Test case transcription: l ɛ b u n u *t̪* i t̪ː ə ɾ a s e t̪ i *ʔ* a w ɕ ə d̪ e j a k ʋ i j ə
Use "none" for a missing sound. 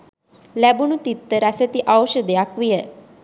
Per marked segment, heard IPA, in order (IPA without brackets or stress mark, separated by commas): t̪, ʔ